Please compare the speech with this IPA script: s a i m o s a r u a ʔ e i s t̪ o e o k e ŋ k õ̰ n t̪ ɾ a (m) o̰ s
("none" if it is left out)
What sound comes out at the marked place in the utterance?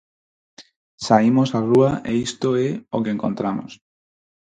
m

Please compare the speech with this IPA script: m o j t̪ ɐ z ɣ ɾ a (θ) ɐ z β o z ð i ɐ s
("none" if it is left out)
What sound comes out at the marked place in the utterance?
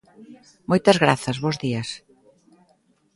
θ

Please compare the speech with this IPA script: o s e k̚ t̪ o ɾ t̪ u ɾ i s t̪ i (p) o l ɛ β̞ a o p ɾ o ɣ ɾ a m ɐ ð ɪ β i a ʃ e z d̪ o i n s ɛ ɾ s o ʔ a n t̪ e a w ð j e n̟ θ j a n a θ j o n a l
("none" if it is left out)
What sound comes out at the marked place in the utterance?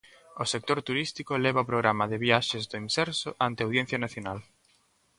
k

